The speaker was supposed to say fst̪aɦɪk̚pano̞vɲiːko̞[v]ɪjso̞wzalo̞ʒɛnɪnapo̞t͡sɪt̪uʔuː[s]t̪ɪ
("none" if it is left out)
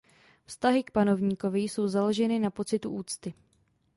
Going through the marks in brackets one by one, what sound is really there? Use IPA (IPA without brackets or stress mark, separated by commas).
v, t͡s